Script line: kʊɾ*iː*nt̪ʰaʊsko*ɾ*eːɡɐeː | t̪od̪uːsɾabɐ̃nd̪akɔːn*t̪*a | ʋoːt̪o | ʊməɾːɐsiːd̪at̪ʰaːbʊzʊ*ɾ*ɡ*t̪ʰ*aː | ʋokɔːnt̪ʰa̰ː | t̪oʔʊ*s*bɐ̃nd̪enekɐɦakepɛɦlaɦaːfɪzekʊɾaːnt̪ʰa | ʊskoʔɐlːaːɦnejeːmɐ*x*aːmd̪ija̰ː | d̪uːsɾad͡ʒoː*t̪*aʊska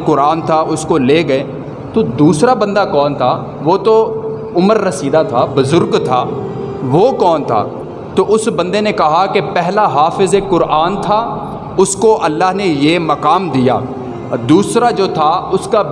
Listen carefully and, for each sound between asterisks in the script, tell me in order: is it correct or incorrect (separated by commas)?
incorrect, incorrect, incorrect, correct, correct, correct, incorrect, incorrect